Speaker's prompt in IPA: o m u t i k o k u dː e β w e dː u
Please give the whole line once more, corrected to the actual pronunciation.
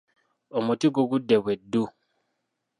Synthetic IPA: o m u t i ɡ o ɡ u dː e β w e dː u